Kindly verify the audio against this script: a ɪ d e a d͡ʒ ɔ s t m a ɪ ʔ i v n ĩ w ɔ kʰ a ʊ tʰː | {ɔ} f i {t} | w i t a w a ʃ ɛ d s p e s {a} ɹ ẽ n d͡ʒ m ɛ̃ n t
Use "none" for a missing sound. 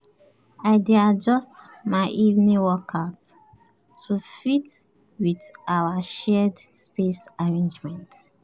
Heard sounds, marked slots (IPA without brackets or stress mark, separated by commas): u, t, a